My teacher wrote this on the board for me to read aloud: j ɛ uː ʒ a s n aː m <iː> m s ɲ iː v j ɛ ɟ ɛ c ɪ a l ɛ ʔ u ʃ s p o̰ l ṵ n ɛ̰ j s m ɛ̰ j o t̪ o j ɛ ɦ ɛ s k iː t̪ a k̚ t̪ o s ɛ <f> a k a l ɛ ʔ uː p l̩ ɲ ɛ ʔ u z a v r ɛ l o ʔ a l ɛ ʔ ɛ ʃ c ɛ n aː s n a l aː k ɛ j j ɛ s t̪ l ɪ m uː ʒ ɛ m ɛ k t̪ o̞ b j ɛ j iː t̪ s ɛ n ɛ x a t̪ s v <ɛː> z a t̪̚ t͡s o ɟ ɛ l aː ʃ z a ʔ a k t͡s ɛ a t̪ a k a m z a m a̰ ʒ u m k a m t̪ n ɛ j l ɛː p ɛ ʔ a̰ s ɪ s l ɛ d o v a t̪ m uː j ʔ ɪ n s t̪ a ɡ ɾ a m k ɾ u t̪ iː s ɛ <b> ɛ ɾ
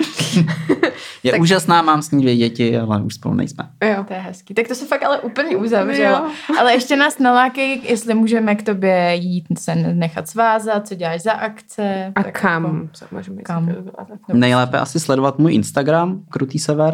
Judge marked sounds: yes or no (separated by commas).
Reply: no, yes, no, no